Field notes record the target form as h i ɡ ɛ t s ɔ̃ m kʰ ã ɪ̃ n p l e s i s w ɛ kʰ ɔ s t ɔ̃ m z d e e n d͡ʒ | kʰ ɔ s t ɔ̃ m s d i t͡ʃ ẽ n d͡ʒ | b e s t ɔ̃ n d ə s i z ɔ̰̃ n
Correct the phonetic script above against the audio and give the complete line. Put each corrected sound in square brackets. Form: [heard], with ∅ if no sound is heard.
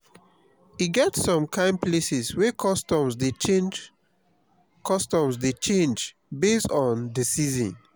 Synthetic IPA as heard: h i ɡ ɛ t s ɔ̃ m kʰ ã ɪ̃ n p l e s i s w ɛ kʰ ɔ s t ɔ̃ m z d e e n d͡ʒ | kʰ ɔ s t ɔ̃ m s d [e] t͡ʃ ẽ n d͡ʒ | b e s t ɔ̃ n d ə s i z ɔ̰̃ n